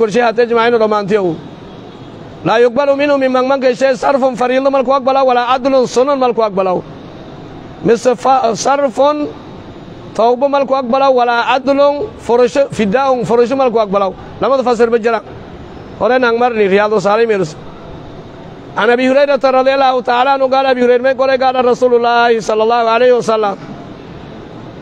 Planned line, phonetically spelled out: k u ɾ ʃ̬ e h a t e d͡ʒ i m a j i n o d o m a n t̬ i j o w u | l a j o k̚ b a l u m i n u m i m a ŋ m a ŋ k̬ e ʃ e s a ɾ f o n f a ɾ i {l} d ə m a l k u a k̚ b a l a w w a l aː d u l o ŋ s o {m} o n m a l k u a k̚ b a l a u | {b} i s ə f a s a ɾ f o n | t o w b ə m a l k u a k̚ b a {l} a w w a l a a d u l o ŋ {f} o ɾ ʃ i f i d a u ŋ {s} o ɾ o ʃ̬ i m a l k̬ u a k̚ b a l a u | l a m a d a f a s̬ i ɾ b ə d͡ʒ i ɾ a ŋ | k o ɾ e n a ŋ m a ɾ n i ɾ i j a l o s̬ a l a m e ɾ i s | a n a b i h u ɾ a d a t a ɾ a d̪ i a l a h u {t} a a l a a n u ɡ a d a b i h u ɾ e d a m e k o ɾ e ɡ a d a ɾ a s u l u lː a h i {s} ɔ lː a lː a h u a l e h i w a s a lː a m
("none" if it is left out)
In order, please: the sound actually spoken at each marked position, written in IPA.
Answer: l, n, m, l, f, f, t, s

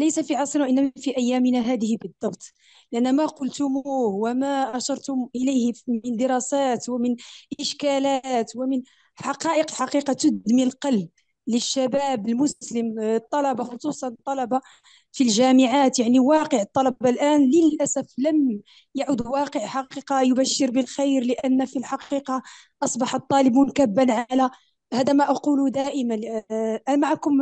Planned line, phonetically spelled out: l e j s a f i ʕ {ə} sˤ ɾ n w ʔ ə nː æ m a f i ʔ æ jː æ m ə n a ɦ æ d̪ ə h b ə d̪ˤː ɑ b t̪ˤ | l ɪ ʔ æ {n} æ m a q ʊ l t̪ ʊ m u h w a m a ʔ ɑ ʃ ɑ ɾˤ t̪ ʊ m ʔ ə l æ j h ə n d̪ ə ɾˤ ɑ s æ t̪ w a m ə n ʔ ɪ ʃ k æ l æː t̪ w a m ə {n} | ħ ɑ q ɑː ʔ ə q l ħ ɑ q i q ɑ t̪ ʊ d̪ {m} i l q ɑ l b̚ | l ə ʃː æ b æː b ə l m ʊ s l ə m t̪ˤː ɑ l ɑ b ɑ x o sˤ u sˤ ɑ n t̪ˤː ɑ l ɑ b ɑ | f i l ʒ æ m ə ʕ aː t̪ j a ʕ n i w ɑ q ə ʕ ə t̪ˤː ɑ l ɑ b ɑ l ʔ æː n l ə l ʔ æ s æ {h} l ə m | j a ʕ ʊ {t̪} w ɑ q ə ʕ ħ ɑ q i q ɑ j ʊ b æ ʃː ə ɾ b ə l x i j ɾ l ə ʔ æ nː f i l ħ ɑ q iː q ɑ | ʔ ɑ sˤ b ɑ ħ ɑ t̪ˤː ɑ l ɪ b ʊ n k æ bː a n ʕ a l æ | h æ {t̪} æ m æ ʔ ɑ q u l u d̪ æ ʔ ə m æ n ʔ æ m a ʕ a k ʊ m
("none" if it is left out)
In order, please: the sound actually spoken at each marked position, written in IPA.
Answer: ɑ, nː, n, m, f, d̪, d̪

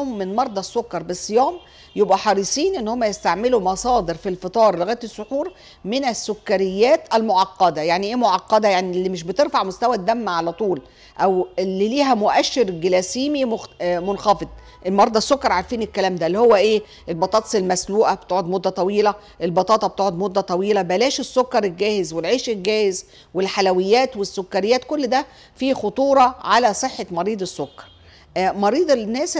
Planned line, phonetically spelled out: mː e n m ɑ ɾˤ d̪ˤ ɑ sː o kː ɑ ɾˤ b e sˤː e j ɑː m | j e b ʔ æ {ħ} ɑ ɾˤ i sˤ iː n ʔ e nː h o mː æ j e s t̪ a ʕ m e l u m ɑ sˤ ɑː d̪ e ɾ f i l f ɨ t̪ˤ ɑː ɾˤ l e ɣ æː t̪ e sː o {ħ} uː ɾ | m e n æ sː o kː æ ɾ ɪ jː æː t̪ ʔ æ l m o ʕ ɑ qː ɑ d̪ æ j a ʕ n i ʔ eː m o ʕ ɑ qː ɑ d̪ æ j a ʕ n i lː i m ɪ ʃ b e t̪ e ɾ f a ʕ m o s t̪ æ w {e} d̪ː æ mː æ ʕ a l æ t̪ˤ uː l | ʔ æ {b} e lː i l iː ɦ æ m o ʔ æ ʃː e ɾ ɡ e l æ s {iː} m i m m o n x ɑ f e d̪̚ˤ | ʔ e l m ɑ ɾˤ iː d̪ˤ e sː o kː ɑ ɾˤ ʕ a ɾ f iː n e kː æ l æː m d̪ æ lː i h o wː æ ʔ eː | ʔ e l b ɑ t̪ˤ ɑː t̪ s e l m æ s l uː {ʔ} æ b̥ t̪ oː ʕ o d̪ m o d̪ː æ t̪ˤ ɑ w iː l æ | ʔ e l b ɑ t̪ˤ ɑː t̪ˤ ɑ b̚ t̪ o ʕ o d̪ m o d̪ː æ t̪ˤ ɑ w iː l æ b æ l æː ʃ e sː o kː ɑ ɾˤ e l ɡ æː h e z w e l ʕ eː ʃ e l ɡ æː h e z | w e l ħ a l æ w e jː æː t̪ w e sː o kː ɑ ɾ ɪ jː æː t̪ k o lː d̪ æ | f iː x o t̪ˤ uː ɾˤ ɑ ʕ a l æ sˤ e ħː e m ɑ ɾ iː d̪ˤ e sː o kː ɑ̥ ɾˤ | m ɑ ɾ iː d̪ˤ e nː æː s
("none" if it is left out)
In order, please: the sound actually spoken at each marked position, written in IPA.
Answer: ħ, ħ, æ, w, iː, ʔ

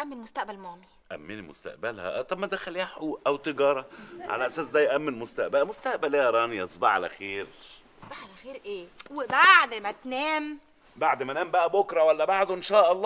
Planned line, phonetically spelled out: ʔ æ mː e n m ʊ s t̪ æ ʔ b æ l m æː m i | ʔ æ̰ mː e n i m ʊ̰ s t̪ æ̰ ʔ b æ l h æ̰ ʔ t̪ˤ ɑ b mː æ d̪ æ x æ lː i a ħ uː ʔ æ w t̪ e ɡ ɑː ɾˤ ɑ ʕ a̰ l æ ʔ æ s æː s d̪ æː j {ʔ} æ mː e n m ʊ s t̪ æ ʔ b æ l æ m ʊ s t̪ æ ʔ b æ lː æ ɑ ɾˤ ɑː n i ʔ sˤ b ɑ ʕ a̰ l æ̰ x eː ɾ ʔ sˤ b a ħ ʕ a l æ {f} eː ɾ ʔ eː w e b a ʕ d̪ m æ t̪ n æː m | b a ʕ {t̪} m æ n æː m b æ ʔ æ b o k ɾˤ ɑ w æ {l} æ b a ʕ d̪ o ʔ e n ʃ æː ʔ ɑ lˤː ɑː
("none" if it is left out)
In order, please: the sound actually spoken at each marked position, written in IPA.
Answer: ʔ, x, d̪, lː

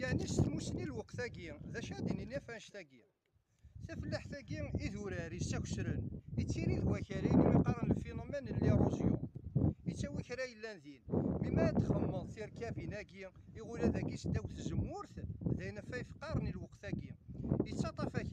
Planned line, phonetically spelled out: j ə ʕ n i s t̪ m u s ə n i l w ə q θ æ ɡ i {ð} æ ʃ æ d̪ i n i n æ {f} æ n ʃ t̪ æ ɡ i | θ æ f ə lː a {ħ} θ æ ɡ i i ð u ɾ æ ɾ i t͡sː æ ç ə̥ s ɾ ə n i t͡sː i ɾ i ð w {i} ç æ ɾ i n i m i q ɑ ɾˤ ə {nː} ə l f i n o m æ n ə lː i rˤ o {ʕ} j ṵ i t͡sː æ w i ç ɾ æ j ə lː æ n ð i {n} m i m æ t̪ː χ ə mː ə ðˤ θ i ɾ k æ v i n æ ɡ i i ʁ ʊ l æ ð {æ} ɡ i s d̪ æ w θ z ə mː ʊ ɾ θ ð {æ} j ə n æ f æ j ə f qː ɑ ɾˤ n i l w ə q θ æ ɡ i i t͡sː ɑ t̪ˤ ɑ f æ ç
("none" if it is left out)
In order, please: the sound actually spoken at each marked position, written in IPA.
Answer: ð, f, ħ, æ, n, z, n, æ, æ

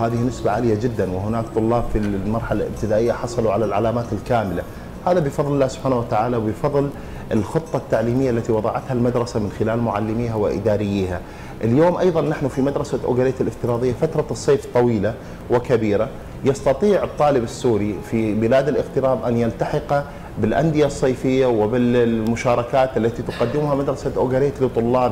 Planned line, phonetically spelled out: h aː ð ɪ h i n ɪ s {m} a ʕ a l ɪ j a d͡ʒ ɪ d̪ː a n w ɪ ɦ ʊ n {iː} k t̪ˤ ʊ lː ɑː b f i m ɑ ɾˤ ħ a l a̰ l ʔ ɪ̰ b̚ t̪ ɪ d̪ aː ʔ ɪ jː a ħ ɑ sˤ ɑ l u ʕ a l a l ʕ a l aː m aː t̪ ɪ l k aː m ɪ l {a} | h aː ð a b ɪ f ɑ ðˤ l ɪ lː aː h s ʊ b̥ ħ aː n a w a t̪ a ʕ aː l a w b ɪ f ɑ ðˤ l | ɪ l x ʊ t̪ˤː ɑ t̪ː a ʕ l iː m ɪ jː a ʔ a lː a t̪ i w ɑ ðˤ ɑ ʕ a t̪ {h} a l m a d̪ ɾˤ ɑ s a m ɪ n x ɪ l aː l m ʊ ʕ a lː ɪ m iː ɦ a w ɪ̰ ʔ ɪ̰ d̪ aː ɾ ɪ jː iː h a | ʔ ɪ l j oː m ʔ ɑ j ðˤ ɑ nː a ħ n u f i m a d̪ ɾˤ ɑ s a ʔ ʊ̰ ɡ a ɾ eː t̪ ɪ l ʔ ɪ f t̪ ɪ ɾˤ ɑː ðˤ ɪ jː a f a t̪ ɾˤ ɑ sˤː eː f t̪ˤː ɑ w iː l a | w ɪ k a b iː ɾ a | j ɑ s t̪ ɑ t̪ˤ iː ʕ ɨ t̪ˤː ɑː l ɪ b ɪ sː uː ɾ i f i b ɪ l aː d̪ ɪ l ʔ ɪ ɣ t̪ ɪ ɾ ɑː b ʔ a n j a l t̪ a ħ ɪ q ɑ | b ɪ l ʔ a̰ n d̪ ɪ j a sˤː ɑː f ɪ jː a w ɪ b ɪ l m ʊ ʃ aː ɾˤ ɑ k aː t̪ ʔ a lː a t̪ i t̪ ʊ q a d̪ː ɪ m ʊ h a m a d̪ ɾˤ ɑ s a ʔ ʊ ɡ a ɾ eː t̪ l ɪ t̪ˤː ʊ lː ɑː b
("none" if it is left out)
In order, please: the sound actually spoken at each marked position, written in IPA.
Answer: b, aː, a, h

